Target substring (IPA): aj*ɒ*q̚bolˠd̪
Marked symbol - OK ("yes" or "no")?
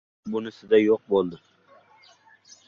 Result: no